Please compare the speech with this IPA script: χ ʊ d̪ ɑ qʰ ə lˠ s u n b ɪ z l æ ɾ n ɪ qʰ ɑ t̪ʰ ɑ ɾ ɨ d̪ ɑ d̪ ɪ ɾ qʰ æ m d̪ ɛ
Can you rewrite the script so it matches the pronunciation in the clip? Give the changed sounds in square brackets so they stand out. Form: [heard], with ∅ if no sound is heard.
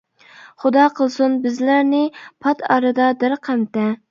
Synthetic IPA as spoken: χ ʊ d̪ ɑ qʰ ə lˠ s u n b ɪ z l æ ɾ n ɪ [pʰ] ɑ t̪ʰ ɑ ɾ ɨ d̪ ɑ d̪ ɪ ɾ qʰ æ m [t̪] ɛ